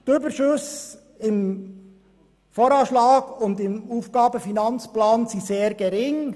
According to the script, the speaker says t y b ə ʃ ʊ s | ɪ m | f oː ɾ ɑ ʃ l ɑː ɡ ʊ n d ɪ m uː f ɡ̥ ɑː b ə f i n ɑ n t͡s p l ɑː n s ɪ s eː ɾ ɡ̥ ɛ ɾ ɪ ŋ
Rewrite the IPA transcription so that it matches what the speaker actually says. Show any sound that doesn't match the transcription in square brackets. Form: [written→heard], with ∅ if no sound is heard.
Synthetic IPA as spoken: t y b ə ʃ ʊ s | ɪ m | f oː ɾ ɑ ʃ l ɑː ɡ ʊ n d ɪ m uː f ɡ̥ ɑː b ə f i n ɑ n t͡s p l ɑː n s [ɪ→i] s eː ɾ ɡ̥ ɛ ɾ ɪ ŋ

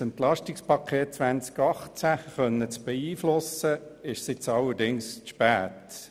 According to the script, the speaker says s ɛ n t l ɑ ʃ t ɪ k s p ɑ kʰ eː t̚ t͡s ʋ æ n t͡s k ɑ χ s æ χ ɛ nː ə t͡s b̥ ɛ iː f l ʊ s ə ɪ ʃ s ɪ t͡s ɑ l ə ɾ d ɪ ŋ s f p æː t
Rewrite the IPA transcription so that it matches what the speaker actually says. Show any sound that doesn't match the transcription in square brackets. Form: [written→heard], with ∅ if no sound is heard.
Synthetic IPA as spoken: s ɛ n t l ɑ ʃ t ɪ k s p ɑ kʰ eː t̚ t͡s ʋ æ n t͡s k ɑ χ [s→t͡s] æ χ [ɛ→œ] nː ə t͡s b̥ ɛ iː f l ʊ s ə ɪ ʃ s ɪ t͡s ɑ l ə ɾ d ɪ ŋ s [f→ʃ] p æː t

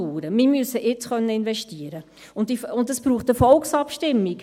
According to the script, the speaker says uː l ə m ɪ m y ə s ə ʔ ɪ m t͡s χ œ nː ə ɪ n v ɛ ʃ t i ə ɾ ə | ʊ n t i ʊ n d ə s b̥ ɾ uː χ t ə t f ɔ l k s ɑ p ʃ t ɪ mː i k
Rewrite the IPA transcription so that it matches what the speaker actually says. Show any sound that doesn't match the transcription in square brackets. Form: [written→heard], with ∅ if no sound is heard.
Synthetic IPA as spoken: uː [l→ɾ] ə m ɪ m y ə s ə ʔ ɪ [m→∅] t͡s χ œ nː ə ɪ n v ɛ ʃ t i ə ɾ ə | ʊ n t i ʊ n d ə s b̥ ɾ uː χ t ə [t→∅] f ɔ l k s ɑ p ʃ t ɪ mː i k

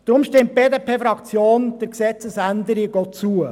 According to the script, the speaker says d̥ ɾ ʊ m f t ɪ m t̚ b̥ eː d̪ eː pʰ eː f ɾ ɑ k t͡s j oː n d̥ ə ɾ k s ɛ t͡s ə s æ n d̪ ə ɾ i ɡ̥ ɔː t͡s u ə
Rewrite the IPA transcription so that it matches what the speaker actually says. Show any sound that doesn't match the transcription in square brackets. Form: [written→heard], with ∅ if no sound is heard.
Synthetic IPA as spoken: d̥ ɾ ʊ m [f→ʃ] t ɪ m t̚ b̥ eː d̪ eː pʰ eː f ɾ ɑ k t͡s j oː n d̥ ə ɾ k s ɛ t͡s ə s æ n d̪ ə ɾ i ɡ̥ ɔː t͡s u ə

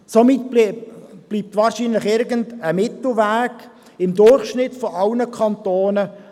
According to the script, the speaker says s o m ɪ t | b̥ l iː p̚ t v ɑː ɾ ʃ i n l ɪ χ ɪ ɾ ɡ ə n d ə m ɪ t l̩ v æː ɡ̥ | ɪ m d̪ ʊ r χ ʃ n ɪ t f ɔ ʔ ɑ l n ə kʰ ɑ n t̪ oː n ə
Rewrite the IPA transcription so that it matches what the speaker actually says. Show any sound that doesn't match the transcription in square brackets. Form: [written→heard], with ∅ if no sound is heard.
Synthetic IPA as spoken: s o m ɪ t | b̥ l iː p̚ t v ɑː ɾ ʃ i n l ɪ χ ɪ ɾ ɡ ə n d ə m ɪ t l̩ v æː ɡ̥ | ɪ m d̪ ʊ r χ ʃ n ɪ t f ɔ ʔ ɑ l n ə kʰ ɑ n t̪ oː n ə

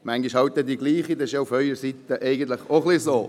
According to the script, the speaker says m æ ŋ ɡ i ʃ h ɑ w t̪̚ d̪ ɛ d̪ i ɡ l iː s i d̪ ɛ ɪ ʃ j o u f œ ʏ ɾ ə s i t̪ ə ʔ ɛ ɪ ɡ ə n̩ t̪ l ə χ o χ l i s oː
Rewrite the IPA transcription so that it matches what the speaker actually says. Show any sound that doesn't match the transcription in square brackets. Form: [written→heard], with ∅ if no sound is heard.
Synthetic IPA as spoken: m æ ŋ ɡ i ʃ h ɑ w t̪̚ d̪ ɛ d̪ i ɡ l iː [s→χ] i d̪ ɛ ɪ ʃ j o u f œ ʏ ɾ ə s i t̪ ə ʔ ɛ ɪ ɡ ə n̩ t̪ l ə χ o χ l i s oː

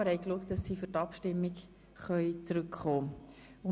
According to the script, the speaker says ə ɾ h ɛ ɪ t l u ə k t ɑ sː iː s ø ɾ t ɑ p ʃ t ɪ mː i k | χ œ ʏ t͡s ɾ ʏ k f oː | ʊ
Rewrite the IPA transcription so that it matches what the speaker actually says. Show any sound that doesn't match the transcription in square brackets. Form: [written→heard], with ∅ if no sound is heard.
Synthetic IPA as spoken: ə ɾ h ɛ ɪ [t→k] l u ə k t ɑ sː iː [s→f] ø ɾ t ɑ p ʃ t ɪ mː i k | χ œ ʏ t͡s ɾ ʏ k [f→χ] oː | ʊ

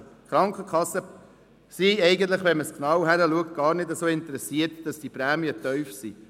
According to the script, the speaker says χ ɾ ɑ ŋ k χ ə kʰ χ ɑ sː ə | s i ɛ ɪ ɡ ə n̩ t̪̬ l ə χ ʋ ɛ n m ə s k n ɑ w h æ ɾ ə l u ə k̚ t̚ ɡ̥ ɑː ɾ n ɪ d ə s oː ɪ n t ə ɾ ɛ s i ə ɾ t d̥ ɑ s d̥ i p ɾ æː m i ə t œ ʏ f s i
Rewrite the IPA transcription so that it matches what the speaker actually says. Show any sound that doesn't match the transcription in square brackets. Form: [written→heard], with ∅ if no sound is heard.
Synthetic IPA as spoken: χ ɾ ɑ ŋ k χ ə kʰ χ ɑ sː ə | s i ɛ ɪ ɡ ə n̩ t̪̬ l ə χ ʋ ɛ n m ə s k n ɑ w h æ ɾ ə l u ə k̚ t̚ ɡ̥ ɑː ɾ n ɪ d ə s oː ɪ n t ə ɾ ɛ s i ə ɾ t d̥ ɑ s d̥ i p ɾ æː m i ə t œ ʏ f s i

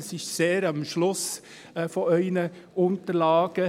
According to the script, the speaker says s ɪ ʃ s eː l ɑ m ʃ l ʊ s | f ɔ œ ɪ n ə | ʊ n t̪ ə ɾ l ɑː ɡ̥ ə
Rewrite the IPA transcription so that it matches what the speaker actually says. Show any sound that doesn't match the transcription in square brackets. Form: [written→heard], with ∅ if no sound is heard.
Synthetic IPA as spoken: s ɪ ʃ s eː [l→ɾ] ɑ m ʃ l ʊ s | f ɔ œ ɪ n ə | ʊ n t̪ ə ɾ l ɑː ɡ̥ ə

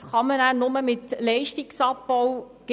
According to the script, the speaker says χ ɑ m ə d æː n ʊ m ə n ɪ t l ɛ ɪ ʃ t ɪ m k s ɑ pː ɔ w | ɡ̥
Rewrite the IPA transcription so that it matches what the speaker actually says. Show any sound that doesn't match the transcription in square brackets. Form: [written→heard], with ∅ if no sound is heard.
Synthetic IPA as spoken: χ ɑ m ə [d→n] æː n ʊ m ə [n→m] ɪ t l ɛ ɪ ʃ t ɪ [m→∅] k s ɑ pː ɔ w | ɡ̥

